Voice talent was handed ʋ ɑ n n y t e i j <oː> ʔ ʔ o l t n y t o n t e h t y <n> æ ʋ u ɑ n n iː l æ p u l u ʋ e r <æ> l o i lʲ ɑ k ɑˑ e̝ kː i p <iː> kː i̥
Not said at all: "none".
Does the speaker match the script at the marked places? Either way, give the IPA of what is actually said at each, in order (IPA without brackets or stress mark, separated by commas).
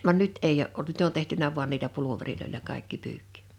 o, n, i, yː